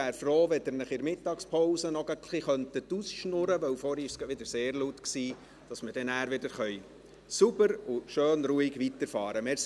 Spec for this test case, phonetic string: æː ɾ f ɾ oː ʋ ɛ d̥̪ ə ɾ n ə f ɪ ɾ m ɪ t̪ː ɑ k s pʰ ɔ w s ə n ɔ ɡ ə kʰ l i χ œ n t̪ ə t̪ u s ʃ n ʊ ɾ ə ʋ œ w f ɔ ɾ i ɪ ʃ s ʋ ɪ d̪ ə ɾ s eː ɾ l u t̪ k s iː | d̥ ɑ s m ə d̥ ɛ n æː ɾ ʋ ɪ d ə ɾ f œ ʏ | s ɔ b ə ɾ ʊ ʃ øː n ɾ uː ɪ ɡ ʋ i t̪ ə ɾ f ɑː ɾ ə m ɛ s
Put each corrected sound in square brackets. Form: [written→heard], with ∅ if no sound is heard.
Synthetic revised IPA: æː ɾ f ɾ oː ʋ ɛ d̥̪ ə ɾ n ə [f→χ] ɪ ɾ m ɪ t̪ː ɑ k s pʰ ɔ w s ə n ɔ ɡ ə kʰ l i χ œ n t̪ ə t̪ u s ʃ n ʊ ɾ ə ʋ œ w f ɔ ɾ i ɪ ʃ s ʋ ɪ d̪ ə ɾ s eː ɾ l u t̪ k s iː | d̥ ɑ s m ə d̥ ɛ n æː ɾ ʋ ɪ d ə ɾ [f→χ] œ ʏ | s [ɔ→u] b ə ɾ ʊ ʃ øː n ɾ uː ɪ ɡ ʋ i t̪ ə ɾ f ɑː ɾ ə m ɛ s